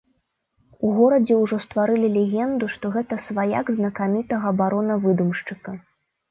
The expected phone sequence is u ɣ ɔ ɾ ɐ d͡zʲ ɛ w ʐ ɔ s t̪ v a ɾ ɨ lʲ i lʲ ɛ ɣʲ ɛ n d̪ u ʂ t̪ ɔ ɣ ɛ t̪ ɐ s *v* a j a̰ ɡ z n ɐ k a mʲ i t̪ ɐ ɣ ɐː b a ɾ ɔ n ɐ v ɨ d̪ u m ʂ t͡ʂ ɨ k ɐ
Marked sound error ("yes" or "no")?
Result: no